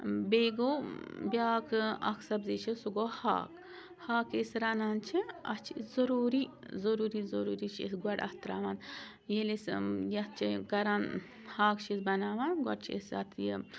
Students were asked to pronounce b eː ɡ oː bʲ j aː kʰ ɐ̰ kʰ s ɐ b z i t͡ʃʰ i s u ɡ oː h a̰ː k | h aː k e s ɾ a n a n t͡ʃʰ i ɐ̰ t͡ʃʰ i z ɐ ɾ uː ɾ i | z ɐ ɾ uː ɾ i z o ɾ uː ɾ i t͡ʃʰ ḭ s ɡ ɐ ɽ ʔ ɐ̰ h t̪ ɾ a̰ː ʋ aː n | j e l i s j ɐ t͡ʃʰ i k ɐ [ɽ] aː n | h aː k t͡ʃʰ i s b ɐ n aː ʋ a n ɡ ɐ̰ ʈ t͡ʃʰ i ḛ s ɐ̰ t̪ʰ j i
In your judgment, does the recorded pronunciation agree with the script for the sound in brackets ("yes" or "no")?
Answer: no